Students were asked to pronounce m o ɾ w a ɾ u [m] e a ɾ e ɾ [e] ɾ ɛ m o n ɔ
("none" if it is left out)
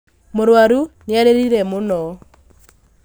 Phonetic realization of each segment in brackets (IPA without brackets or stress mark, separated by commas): n, i